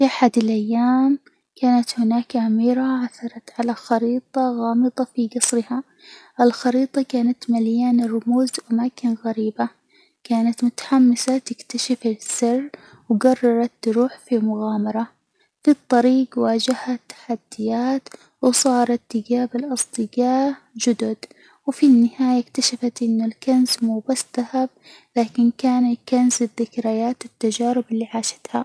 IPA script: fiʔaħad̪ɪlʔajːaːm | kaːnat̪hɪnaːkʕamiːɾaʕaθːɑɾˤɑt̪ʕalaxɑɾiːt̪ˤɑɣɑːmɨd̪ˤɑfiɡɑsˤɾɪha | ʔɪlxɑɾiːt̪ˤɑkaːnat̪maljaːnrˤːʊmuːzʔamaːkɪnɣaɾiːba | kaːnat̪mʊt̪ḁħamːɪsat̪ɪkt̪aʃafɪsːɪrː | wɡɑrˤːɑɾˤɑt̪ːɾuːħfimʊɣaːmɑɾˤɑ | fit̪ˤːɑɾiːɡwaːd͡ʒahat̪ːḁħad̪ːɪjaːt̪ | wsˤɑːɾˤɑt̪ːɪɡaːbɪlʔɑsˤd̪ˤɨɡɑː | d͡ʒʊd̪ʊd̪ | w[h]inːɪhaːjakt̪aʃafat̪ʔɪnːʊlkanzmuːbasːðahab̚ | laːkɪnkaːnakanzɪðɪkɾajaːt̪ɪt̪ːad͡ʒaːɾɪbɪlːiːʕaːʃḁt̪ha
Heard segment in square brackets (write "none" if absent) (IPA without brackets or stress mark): f